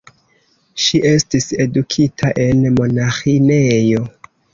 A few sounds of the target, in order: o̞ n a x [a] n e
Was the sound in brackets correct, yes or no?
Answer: no